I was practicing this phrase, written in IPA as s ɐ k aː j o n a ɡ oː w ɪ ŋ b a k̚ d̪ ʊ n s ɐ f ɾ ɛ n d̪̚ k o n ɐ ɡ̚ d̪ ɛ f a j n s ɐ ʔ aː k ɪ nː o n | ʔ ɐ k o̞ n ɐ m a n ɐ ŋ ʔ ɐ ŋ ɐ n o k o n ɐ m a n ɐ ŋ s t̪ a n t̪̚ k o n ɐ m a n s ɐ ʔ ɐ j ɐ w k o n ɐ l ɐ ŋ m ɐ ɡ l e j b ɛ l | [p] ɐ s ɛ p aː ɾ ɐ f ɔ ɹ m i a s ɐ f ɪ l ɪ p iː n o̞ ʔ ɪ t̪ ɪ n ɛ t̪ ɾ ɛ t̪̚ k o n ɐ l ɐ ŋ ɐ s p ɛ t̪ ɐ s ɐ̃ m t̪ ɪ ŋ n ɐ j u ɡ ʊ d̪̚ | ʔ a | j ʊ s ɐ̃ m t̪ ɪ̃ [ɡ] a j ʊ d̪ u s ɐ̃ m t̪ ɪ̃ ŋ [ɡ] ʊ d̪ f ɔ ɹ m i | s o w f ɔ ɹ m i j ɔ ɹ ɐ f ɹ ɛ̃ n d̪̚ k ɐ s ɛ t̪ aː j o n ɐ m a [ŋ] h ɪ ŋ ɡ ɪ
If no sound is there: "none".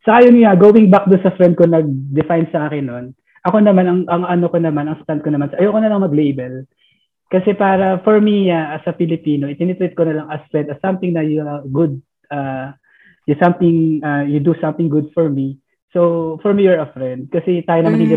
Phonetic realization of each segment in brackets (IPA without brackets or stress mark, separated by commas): k, ŋ, ɡ, n